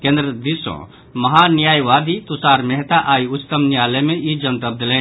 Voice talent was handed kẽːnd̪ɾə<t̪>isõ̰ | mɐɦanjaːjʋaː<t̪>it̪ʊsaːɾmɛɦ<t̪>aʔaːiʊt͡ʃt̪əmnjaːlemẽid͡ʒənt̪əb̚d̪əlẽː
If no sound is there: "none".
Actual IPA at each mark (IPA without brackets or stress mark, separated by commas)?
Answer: d̪, d̪, t̪